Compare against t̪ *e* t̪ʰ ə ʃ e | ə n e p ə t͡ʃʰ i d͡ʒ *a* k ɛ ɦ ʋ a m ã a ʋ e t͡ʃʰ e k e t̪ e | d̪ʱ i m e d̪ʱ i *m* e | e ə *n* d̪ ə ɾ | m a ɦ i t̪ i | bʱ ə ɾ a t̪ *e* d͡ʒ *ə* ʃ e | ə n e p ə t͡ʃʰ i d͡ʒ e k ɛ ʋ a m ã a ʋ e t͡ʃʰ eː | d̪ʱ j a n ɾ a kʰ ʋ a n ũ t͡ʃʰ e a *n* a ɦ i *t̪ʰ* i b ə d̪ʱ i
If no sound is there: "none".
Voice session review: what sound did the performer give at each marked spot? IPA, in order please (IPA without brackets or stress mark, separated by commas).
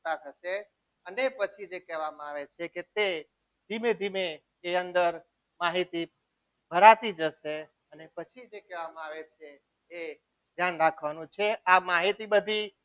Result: a, e, m, n, i, ə, m, t̪